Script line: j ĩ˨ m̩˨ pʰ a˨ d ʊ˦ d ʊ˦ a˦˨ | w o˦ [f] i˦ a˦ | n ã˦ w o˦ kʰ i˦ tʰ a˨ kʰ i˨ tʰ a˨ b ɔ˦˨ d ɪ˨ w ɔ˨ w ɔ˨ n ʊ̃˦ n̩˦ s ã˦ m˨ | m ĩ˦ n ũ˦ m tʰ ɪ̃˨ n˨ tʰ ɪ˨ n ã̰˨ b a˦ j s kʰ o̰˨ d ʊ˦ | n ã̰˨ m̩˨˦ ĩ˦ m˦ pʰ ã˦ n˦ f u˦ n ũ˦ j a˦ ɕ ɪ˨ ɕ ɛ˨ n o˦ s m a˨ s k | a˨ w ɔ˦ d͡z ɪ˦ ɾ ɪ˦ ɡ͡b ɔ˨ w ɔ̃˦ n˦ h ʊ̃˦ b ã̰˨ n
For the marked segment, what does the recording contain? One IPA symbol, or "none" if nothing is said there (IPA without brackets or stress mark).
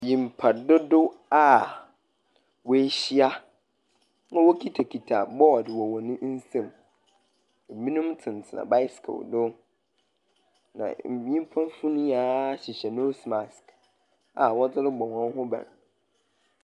ɕ